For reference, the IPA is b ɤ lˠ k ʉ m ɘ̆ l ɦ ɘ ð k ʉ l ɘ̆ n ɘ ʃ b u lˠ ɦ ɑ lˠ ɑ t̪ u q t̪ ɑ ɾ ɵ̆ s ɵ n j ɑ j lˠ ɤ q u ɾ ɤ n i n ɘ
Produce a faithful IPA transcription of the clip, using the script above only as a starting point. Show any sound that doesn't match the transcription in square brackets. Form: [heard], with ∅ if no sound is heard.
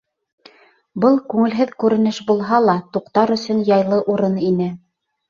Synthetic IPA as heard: b ɤ lˠ k ʉ [ŋ] ɘ̆ l ɦ ɘ ð k ʉ [ɾ] ɘ̆ n ɘ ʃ b u lˠ ɦ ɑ lˠ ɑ t̪ u q t̪ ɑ ɾ ɵ̆ s ɵ n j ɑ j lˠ ɤ [ʔ] u ɾ ɤ n i n ɘ